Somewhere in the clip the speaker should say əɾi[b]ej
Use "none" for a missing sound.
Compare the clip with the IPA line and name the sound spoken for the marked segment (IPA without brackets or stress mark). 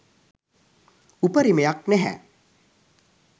m